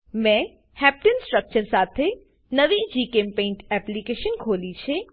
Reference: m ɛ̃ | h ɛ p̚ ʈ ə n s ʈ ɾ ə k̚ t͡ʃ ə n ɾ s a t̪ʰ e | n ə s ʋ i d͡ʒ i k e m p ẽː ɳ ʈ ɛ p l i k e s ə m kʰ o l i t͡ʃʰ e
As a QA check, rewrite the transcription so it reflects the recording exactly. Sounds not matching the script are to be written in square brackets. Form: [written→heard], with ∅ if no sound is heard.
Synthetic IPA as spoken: m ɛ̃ | h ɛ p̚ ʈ ə n s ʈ ɾ ə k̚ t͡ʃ ə [n→∅] ɾ s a t̪ʰ e | n ə [s→∅] ʋ i d͡ʒ i k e m p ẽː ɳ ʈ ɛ p l i k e [s→ʃ] ə [m→n] kʰ o l i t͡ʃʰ e

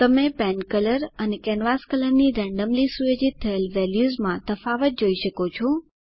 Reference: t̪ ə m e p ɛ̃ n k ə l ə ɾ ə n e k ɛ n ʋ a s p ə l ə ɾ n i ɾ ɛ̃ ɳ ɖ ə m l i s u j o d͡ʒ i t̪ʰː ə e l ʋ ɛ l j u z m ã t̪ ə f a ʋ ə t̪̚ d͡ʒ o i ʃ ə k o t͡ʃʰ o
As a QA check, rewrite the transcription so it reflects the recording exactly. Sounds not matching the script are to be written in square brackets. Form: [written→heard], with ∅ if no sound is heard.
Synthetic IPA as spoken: t̪ ə m e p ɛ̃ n k ə l ə ɾ ə n e k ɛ n ʋ a s [p→k] ə l ə ɾ n i ɾ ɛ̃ ɳ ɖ ə m l i s u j o d͡ʒ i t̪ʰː ə e l ʋ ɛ l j u z m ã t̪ ə f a ʋ ə t̪̚ d͡ʒ o i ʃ ə k o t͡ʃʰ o

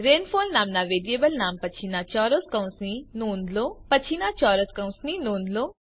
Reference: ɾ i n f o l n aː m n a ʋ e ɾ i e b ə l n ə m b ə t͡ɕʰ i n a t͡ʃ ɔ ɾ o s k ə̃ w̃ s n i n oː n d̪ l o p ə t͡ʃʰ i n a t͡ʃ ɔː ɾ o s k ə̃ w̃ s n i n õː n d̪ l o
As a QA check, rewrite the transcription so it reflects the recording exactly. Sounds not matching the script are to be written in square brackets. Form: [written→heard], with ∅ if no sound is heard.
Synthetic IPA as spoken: ɾ [i→e] n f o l n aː m n a ʋ e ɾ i e b ə l n [ə→a] m [b→p] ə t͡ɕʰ i n a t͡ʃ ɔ ɾ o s k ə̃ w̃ s n i n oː n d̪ l o p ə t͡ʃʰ i n a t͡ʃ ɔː ɾ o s k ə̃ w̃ s n i n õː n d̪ l o

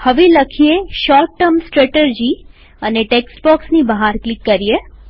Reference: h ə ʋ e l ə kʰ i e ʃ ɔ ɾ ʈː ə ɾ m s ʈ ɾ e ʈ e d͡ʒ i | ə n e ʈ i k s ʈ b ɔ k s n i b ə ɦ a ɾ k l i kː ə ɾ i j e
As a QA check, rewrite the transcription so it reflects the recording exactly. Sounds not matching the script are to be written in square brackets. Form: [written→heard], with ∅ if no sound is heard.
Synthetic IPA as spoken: h ə ʋ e l ə kʰ i e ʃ ɔ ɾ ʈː ə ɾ m s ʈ ɾ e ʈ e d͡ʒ i | ə n e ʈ [i→e] k s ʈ b ɔ k s n i b ə ɦ a ɾ k l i kː ə ɾ i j e

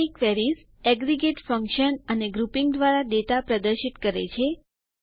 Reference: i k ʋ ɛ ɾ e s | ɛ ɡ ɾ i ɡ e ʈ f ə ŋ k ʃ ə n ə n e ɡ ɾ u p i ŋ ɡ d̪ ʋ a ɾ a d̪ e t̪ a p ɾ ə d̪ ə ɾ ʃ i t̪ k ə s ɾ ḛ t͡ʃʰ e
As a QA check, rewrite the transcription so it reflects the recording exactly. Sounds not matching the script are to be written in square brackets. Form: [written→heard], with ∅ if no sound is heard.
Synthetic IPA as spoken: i k ʋ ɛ ɾ [e→i] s | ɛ ɡ ɾ i ɡ e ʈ f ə ŋ k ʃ ə n ə n e ɡ ɾ u p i ŋ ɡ d̪ ʋ a ɾ a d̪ e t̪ a p ɾ ə d̪ ə ɾ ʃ i t̪ k ə [s→∅] ɾ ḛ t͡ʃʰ e

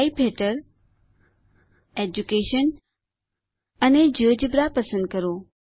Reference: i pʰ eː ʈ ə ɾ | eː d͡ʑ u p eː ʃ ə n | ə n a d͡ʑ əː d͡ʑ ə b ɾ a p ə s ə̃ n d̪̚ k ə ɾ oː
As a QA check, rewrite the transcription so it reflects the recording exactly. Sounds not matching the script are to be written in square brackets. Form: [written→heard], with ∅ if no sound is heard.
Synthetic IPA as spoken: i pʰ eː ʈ ə ɾ | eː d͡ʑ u [p→k] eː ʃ ə n | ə n [a→e] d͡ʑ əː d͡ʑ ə b ɾ a p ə s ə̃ n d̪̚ k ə ɾ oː

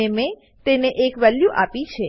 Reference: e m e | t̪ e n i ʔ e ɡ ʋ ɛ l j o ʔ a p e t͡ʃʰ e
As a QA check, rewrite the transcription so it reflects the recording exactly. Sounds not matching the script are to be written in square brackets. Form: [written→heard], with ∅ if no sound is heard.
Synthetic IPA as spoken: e m e | t̪ e n [i→e] ʔ e [ɡ→k] ʋ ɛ l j [o→u] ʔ a p [e→i] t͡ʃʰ e

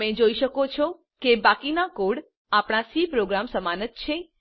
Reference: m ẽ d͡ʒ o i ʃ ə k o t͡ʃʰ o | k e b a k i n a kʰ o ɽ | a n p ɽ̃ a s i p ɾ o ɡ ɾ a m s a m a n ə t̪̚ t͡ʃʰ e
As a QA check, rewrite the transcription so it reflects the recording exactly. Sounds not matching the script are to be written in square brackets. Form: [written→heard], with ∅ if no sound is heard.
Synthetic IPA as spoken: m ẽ d͡ʒ o i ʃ ə k o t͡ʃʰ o | k e b a k i n a [kʰ→k] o ɽ | a [n→∅] p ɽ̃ a s i p ɾ o ɡ ɾ a m s [a→ə] m a n ə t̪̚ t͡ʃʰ e

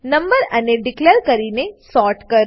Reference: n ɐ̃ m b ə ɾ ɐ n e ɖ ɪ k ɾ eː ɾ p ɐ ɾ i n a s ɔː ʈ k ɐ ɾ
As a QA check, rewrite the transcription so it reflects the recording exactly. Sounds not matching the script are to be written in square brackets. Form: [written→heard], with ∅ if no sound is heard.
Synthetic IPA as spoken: n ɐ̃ m b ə ɾ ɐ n e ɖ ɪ k [ɾ→l] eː ɾ [p→k] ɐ ɾ i n [a→e] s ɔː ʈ k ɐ ɾ

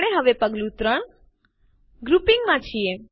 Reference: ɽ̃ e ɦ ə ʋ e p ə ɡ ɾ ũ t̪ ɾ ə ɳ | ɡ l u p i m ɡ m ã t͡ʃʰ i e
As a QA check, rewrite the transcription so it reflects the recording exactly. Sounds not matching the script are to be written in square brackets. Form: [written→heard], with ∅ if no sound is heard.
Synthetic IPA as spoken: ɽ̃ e ɦ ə ʋ e p ə ɡ [ɾ→l] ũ t̪ ɾ ə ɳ | ɡ [l→ɾ] u p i [m→ŋ] ɡ m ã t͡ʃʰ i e

